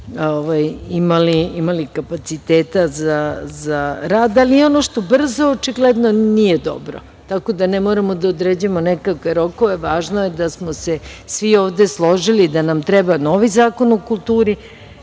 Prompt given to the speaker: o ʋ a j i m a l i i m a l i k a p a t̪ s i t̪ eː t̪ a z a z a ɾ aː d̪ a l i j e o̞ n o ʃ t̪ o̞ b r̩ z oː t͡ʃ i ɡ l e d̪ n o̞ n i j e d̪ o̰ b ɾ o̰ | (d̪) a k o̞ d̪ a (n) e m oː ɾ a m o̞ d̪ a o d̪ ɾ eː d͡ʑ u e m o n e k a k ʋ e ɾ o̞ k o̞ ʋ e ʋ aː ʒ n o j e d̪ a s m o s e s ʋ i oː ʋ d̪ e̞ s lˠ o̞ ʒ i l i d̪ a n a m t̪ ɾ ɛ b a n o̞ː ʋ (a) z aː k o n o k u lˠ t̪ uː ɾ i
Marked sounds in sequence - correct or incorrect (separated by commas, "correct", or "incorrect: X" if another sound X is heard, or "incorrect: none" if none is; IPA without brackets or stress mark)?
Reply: incorrect: t̪, correct, incorrect: i